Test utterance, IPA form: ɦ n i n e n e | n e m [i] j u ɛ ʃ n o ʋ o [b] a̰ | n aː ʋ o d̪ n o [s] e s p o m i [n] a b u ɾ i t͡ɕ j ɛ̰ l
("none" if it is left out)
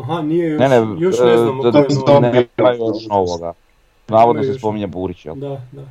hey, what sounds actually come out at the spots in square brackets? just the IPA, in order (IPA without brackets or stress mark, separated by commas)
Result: a, ɡ, s, ɲ